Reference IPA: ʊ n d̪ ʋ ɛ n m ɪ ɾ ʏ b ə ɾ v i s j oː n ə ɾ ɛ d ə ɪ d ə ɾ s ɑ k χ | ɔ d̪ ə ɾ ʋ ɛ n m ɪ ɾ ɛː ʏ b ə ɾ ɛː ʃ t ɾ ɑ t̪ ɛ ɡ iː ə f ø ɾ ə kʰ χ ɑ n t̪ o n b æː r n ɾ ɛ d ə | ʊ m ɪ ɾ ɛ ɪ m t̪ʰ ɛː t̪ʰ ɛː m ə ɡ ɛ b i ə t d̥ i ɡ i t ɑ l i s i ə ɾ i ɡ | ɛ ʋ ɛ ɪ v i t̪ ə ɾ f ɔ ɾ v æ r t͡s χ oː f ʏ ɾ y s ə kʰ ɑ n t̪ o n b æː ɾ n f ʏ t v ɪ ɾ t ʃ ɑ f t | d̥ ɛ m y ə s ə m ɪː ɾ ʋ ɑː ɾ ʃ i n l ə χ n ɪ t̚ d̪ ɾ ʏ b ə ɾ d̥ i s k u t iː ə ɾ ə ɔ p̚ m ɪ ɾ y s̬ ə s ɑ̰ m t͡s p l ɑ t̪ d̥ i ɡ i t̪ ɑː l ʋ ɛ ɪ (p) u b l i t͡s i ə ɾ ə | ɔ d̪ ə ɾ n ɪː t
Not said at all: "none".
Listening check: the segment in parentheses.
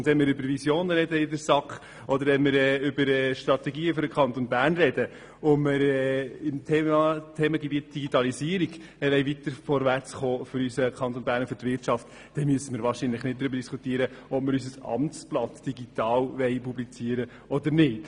p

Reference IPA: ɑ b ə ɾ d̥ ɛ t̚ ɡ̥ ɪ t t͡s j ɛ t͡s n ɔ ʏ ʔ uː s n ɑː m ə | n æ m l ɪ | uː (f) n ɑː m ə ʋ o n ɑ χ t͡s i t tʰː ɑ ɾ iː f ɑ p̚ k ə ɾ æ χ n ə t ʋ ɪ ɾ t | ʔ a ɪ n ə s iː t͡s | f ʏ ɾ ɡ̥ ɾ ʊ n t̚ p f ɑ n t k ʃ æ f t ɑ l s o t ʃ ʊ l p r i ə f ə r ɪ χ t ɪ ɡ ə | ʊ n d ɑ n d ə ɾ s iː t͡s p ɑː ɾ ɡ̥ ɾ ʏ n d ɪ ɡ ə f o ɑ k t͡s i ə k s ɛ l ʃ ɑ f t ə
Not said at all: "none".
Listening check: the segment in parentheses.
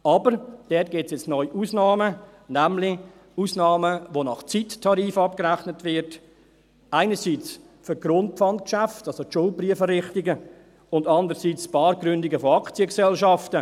s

